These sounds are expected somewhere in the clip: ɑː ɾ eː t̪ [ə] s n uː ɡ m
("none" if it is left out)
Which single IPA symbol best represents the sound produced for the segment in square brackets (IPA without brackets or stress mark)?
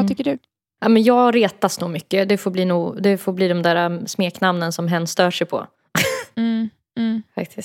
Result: a